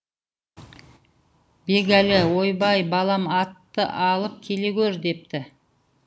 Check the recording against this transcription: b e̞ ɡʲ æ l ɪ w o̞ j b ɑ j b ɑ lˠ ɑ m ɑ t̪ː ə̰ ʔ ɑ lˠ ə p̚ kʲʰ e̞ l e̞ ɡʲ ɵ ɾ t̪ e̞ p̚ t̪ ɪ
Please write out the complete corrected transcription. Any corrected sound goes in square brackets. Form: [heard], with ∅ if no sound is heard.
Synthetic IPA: b e̞ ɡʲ æ l ɪ w o̞ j b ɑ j b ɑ lˠ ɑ m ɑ t̪ː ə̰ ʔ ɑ lˠ ə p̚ kʲʰ e̞ l e̞ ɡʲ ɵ ɾ [d̪] e̞ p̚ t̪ ɪ